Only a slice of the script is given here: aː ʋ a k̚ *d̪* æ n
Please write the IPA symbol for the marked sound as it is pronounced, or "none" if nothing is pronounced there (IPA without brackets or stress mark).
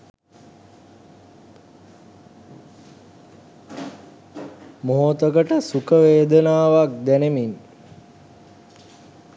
d̪